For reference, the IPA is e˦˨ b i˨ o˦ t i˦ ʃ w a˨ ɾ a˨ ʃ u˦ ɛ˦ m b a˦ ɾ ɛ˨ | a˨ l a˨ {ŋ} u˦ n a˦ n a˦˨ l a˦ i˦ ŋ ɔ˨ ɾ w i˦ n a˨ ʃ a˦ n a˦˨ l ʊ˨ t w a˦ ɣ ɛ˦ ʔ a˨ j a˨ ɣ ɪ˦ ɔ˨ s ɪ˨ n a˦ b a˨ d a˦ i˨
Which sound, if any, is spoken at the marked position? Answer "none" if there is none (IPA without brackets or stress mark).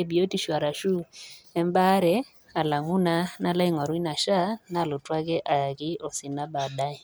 ŋ